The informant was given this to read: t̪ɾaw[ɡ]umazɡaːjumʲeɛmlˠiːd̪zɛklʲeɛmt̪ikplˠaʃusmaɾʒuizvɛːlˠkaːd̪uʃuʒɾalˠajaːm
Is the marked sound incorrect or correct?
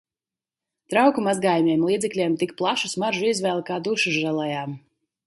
incorrect